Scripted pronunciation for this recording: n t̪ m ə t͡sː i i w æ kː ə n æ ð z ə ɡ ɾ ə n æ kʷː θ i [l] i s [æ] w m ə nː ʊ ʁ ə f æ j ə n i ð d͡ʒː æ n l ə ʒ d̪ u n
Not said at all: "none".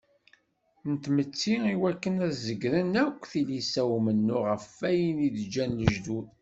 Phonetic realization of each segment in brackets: l, æ

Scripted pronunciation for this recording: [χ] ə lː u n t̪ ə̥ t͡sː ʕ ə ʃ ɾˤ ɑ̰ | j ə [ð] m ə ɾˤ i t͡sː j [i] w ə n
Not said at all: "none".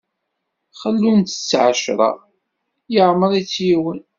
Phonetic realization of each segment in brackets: χ, ʕ, i

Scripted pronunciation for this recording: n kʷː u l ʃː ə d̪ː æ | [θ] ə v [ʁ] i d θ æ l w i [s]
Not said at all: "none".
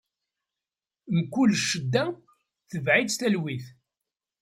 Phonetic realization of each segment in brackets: θ, ʕ, θ

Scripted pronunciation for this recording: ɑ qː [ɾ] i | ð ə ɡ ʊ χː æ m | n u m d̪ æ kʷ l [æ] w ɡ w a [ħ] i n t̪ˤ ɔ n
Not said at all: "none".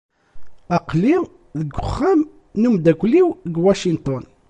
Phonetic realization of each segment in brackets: l, i, ʃ

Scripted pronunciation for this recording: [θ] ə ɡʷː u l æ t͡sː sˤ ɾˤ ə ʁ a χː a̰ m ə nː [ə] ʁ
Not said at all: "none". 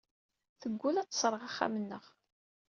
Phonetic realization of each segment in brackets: θ, ə

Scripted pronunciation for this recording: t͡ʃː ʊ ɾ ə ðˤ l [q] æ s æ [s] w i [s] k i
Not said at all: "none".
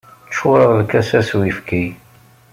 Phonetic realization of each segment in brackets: k, s, f

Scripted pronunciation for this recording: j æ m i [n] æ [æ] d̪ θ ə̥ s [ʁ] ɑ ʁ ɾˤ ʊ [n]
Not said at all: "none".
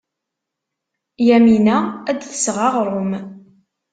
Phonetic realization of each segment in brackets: n, æ, ʁ, m

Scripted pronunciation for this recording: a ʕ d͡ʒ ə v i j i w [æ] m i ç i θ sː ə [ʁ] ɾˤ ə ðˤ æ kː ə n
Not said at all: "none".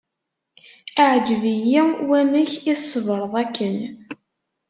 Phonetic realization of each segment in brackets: æ, v

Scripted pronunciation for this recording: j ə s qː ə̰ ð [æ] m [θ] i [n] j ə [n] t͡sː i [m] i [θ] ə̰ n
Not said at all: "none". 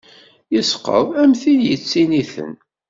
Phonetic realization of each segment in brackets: æ, θ, n, none, n, θ

